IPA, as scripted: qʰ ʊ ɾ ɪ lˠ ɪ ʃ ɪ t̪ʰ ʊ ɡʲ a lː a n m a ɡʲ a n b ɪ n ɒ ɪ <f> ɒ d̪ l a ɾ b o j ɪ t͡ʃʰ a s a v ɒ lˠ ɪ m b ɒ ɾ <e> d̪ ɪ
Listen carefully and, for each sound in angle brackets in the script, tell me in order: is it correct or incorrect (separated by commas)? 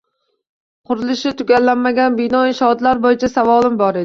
incorrect, correct